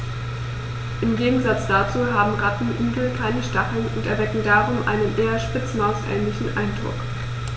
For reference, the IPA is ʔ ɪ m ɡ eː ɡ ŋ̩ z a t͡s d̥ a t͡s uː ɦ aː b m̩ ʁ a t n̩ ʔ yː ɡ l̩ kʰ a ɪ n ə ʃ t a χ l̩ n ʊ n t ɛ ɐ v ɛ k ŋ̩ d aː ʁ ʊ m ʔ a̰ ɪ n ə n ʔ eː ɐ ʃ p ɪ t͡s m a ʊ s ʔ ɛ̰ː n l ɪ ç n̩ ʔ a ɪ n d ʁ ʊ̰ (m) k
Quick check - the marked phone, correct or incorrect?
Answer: incorrect